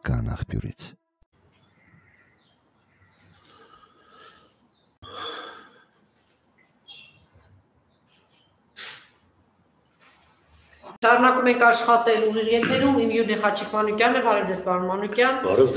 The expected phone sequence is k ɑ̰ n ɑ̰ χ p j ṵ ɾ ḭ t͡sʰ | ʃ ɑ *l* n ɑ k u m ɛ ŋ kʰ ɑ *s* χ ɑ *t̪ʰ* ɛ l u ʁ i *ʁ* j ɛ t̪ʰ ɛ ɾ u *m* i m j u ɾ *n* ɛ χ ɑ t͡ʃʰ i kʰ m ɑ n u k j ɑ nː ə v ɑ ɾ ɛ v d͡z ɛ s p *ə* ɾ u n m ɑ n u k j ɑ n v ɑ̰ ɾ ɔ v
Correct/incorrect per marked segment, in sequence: incorrect, incorrect, incorrect, correct, correct, correct, incorrect

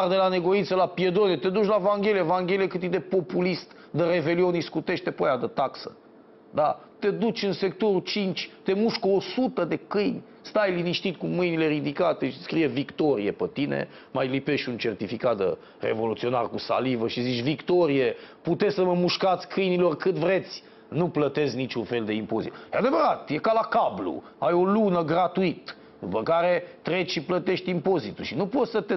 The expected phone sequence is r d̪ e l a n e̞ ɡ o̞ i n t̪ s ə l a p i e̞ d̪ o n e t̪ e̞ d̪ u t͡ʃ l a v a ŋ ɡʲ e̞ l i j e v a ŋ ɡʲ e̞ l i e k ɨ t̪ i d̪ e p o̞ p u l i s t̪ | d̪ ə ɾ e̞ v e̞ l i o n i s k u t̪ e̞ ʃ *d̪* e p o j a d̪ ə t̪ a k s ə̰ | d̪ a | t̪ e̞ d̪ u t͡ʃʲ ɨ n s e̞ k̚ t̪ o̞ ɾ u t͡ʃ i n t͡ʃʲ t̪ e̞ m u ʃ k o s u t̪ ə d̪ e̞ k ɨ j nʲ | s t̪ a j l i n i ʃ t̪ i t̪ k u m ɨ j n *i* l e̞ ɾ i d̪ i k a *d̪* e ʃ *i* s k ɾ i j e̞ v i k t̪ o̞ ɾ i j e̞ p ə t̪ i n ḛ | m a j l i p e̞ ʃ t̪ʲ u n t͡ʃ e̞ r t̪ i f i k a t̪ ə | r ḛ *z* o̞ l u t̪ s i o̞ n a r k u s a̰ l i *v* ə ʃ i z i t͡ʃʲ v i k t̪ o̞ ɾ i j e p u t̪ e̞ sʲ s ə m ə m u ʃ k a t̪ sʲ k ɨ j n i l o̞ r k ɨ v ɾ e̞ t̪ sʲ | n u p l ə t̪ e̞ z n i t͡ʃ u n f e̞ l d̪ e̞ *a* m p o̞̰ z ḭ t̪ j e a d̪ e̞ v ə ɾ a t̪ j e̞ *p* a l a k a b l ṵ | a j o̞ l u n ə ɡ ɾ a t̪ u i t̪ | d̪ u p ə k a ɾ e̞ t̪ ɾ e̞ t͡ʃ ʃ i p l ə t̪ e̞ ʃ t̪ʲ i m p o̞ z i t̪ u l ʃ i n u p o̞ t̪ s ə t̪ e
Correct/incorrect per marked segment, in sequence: incorrect, correct, incorrect, correct, incorrect, correct, incorrect, incorrect

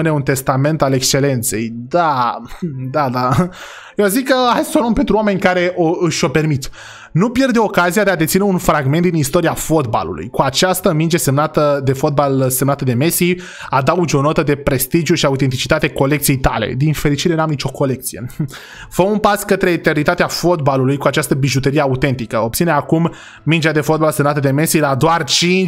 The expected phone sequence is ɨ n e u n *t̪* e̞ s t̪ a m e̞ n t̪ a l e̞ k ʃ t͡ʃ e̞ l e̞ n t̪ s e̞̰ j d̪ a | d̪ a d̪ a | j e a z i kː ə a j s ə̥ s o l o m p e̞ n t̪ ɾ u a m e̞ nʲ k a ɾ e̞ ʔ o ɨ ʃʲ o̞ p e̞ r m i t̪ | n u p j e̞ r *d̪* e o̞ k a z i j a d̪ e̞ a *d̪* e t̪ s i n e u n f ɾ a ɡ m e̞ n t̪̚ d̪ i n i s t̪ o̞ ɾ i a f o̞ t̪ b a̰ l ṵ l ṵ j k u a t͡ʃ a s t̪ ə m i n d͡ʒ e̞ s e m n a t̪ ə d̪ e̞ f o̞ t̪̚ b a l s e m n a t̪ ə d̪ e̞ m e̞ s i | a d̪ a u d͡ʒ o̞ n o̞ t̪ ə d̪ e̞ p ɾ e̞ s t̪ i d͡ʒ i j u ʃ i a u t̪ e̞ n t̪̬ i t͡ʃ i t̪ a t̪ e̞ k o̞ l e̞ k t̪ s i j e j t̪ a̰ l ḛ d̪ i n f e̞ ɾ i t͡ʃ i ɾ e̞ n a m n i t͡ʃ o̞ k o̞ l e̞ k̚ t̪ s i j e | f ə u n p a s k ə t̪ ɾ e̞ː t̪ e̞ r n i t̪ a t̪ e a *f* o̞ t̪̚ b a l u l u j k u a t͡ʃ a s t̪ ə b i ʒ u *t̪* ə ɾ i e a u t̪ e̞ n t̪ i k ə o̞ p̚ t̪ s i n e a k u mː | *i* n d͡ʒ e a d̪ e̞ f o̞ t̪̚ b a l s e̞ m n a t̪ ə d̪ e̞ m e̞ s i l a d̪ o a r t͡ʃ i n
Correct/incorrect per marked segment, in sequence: correct, correct, correct, correct, correct, correct

